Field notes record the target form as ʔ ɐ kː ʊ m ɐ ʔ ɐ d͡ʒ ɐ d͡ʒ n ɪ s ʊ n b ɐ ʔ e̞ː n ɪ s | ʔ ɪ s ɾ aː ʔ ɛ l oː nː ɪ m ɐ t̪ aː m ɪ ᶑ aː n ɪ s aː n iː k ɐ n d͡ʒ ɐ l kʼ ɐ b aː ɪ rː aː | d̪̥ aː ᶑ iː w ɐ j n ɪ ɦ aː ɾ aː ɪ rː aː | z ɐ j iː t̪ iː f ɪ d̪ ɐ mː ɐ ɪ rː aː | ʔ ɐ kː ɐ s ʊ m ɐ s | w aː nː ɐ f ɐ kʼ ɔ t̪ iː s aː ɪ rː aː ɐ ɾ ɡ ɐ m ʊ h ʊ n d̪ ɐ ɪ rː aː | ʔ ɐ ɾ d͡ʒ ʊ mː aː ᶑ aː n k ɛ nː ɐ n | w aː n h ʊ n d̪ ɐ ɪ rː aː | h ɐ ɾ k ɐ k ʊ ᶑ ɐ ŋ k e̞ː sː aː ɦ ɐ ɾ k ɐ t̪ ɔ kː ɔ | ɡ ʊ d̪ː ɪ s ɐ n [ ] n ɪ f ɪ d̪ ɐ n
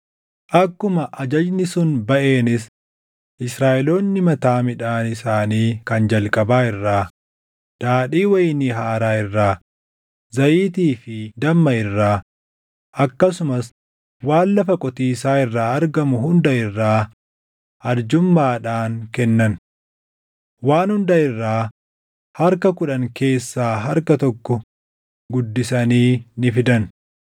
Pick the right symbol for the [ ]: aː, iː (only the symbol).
iː